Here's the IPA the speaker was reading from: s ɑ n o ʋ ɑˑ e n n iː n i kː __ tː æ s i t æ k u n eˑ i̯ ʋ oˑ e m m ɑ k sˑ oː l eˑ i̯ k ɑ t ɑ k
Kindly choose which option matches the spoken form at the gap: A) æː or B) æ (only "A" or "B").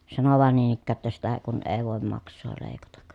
A